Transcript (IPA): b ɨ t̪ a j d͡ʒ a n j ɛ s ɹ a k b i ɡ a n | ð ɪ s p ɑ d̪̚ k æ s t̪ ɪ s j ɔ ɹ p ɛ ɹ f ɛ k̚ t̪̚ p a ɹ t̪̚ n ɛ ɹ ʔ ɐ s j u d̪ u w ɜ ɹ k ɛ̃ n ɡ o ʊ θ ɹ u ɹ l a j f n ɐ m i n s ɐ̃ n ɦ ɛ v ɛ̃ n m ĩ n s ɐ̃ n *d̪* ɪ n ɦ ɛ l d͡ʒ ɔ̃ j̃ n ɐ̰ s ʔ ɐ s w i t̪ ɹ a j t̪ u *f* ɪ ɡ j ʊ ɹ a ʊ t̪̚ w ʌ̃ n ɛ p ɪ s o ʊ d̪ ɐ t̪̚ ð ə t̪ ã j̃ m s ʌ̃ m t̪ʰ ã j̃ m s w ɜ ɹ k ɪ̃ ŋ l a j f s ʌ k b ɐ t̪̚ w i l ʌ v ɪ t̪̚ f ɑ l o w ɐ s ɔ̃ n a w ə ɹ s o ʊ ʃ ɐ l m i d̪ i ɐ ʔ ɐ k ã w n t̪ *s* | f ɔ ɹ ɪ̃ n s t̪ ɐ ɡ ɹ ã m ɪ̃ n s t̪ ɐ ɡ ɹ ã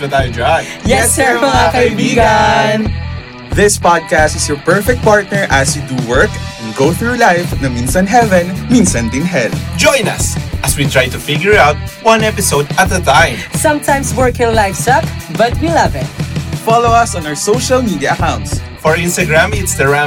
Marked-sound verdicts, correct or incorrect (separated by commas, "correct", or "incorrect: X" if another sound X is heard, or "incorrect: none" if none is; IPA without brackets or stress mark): correct, correct, correct